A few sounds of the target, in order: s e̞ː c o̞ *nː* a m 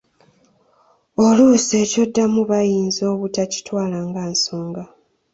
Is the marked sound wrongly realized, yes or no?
yes